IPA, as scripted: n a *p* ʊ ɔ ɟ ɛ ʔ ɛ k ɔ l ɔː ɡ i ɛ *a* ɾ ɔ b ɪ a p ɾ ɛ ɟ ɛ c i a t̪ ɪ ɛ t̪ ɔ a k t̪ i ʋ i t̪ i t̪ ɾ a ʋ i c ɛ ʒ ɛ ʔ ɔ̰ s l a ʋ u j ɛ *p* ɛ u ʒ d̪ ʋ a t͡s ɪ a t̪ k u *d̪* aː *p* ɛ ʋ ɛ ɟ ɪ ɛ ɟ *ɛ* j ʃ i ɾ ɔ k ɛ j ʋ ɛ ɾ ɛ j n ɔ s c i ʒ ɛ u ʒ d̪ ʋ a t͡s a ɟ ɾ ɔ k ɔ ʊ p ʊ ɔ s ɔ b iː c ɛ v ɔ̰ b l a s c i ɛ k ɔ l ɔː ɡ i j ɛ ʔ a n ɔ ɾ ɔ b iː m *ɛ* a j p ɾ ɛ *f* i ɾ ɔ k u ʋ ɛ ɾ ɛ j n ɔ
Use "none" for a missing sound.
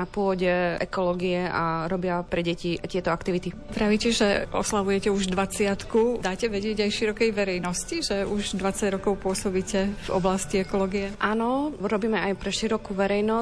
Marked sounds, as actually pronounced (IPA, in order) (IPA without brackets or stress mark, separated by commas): p, a, c, d̪, c, a, ɛ, ʃ